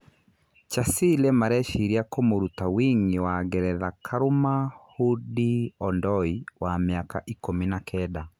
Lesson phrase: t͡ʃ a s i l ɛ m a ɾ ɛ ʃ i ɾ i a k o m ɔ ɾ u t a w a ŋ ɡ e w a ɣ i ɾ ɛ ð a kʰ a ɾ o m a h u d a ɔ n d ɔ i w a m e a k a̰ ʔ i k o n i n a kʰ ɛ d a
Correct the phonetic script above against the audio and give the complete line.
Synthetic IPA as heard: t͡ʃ a s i l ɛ m a ɾ ɛ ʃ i ɾ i a k o m o ɾ u t a w i ŋ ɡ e w a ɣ ɛ ɾ ɛ ð a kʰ a ɾ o m a h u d i ɔ n d ɔ i w a m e a k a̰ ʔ i k o m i n a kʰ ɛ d a